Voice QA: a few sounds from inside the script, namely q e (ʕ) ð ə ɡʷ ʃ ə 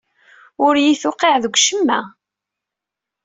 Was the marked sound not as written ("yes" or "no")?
no